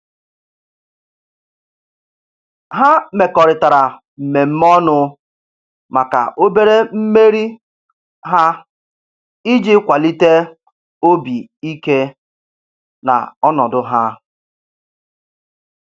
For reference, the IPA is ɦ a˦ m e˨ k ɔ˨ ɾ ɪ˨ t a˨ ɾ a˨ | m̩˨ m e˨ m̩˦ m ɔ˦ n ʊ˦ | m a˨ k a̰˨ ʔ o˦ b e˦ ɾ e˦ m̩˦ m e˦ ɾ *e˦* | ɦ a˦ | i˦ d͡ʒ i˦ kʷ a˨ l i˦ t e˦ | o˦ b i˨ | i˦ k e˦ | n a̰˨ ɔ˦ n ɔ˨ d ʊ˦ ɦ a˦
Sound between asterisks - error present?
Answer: yes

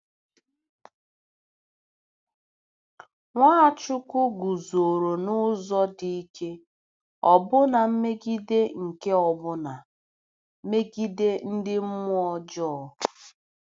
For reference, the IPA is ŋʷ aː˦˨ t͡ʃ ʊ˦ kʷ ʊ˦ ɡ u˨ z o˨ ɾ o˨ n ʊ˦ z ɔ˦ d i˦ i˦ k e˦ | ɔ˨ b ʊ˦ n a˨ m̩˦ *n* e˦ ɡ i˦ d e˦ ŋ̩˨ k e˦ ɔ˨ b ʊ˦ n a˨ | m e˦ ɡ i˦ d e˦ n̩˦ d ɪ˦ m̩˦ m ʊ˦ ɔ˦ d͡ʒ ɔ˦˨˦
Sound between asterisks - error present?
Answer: yes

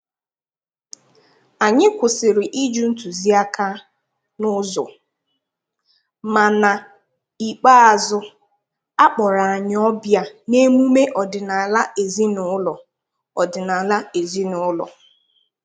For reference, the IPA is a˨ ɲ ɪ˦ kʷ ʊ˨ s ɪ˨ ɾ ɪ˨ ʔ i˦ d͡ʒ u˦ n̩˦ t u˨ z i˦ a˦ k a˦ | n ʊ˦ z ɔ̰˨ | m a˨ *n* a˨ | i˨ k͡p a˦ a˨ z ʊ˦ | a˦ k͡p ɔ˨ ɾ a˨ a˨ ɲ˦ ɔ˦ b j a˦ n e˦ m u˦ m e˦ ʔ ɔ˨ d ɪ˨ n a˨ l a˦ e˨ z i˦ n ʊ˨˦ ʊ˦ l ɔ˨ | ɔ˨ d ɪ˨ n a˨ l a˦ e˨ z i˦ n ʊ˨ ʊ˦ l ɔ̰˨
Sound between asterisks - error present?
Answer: no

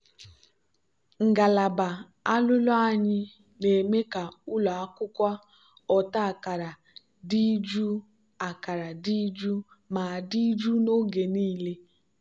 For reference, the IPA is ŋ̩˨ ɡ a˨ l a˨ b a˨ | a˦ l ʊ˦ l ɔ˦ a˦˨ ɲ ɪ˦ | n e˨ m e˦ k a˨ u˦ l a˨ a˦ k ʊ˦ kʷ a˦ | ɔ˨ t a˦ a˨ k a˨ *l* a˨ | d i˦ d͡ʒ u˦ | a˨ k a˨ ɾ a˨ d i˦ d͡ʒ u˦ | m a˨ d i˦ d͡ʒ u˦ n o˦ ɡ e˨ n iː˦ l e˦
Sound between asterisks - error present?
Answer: yes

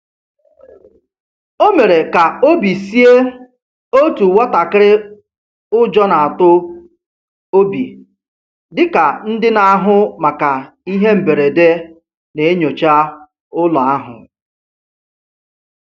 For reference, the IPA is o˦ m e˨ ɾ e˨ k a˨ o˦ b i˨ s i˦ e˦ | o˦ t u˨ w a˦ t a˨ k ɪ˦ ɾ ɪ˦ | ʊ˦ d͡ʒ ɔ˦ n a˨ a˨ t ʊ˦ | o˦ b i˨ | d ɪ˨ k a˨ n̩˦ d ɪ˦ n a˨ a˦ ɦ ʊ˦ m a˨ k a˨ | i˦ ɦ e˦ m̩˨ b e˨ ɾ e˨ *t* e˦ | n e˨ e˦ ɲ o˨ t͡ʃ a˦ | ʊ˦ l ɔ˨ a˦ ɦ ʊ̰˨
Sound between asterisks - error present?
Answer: yes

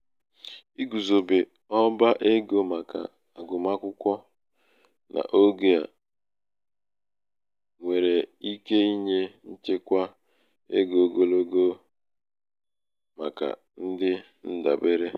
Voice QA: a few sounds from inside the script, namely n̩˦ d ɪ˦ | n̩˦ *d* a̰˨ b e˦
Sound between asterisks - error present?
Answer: no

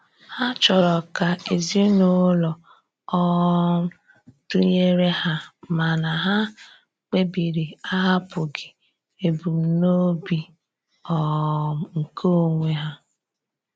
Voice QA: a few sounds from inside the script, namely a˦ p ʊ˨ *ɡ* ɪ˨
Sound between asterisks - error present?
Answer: no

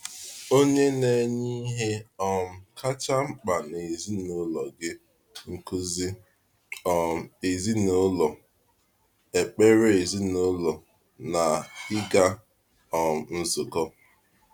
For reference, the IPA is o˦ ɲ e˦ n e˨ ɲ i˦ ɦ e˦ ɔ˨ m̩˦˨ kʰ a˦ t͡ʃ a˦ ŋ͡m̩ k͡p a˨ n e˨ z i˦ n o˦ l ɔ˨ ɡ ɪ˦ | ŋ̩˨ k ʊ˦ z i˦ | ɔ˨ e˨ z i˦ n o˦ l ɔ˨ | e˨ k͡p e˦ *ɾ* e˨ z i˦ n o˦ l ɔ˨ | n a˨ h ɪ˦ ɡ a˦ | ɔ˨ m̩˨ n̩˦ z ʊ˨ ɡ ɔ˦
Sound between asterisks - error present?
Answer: no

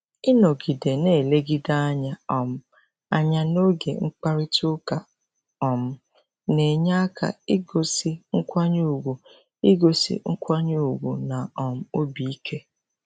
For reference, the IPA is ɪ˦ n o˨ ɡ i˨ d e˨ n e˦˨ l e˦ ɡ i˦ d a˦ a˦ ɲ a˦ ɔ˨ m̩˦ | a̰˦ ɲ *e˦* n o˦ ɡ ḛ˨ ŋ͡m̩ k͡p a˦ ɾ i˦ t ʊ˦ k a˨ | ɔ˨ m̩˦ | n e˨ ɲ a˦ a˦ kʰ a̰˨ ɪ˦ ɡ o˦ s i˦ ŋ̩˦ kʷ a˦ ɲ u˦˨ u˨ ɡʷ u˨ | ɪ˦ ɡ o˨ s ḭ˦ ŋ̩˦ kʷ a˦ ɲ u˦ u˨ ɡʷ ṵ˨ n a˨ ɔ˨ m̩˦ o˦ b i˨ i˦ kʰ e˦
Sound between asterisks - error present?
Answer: yes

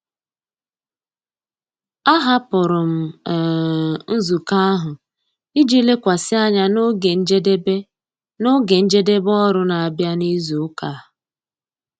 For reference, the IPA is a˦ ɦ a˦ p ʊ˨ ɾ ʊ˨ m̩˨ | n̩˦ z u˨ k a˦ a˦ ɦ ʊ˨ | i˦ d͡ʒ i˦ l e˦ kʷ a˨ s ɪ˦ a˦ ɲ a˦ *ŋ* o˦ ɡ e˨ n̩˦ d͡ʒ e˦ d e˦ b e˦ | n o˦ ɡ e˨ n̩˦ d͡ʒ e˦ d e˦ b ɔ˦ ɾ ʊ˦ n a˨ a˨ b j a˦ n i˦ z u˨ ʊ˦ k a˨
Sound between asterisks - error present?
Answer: yes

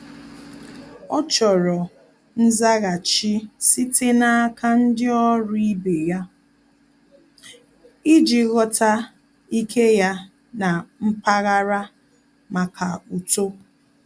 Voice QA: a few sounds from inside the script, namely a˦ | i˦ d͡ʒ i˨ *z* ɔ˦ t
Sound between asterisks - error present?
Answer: yes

